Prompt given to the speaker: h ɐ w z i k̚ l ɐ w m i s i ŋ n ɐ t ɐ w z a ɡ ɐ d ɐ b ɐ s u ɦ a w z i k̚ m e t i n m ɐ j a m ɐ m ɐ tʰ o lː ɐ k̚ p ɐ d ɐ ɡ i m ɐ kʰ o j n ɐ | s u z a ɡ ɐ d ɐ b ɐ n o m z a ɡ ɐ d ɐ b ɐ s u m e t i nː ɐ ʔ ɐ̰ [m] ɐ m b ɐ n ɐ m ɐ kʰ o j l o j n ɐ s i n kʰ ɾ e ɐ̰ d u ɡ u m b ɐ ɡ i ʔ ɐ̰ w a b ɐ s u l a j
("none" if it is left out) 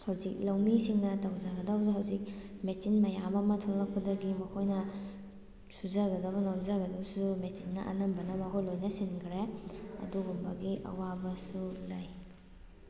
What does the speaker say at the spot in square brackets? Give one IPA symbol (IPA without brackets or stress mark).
n